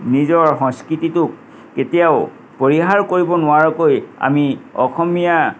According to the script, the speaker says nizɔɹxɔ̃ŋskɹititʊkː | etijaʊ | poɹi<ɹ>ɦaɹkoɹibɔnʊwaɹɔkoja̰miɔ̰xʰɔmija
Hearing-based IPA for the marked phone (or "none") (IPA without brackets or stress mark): none